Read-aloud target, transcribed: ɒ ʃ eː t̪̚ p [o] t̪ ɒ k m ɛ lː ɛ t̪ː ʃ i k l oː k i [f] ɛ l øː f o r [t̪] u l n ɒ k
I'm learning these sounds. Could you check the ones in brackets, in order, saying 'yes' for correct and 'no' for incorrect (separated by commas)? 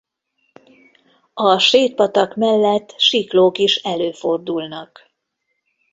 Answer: no, no, no